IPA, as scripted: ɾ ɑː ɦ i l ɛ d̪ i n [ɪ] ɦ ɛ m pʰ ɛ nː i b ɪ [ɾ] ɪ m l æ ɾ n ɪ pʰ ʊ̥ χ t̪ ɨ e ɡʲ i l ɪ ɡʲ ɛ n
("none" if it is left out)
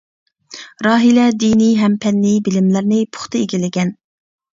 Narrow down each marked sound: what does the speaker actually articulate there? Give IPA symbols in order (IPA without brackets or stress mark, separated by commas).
i, l